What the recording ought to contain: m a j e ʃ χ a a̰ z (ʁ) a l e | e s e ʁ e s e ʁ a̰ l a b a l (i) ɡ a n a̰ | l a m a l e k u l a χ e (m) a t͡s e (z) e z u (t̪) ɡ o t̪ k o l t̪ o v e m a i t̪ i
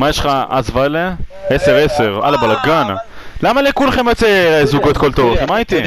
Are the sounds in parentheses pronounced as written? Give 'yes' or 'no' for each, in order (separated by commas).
no, no, yes, no, no